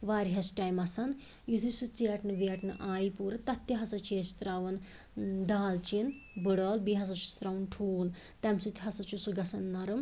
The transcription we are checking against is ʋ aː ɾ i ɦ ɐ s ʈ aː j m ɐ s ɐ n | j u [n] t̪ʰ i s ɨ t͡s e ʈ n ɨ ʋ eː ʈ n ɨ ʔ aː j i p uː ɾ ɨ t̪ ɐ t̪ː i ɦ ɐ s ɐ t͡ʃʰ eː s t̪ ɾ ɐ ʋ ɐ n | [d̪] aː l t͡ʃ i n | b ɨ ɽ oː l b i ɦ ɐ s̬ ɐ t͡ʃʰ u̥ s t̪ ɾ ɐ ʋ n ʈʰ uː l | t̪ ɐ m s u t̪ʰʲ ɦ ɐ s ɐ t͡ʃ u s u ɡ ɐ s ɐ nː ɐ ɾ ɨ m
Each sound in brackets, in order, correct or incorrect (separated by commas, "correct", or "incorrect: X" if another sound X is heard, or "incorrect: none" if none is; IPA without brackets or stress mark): incorrect: none, correct